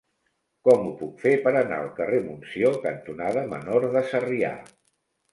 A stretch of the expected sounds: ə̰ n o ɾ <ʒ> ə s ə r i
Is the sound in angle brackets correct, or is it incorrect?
incorrect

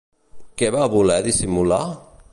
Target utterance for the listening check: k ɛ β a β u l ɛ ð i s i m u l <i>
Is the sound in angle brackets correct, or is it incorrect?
incorrect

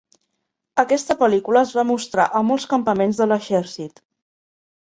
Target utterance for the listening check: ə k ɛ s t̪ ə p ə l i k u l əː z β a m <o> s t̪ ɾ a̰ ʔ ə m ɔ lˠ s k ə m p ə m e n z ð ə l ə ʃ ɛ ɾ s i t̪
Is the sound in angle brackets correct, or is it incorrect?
incorrect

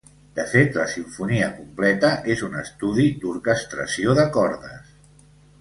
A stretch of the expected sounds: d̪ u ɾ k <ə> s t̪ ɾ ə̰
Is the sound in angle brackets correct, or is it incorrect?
correct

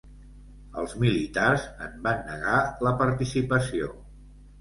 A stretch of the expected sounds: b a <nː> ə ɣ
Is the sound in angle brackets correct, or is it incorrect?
correct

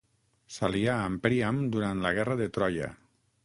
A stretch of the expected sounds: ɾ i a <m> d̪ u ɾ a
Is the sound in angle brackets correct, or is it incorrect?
correct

